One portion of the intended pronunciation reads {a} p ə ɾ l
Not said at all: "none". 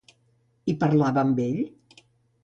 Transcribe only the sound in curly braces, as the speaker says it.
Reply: i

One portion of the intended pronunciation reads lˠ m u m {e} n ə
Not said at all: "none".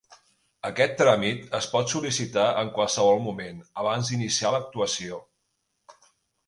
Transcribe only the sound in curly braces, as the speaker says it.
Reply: e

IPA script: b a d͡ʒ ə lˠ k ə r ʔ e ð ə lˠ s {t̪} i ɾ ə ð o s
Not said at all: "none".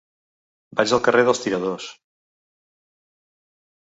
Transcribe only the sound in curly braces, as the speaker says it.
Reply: t̪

